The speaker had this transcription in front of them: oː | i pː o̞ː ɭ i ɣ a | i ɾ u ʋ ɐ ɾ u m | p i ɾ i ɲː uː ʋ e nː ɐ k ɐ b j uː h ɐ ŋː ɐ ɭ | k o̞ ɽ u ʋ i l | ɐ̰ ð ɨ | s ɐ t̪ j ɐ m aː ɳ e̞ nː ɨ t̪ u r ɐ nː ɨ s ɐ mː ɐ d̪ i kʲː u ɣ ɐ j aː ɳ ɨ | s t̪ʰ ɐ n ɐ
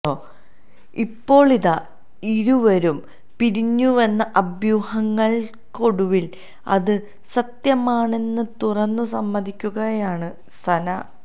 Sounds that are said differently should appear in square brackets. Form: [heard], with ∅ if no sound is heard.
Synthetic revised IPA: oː | i pː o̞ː ɭ i [ð] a | i ɾ u ʋ ɐ ɾ u m | p i ɾ i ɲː [u] ʋ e nː ɐ [ʔ] ɐ b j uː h ɐ ŋː ɐ ɭ | k o̞ ɽ u ʋ i l | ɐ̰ ð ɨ | s ɐ t̪ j ɐ m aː ɳ e̞ nː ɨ t̪ u r ɐ nː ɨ s ɐ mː ɐ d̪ i kʲː u ɣ ɐ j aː ɳ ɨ | s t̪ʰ ɐ n ɐ